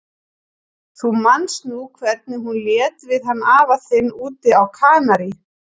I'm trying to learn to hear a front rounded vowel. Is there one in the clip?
no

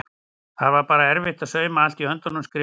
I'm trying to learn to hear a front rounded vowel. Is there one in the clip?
yes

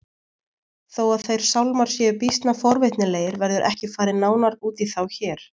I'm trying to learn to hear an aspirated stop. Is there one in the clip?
no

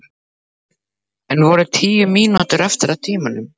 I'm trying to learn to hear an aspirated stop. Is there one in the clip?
yes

